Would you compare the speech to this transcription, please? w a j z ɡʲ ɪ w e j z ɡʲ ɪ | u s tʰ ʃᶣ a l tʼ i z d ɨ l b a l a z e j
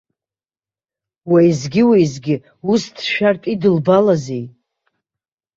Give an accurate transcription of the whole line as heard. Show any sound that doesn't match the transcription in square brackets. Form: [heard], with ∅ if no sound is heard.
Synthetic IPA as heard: w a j z ɡʲ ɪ w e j z ɡʲ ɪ | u s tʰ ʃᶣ a [r] tʼ i [∅] d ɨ l b a l a z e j